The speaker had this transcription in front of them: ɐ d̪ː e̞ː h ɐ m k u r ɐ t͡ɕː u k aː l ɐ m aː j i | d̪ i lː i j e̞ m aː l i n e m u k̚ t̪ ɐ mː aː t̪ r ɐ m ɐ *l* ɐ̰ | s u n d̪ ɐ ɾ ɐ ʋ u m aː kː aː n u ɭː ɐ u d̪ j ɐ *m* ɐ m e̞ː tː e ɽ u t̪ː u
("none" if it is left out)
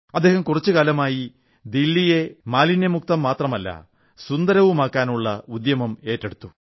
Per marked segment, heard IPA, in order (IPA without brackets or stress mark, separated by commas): lː, m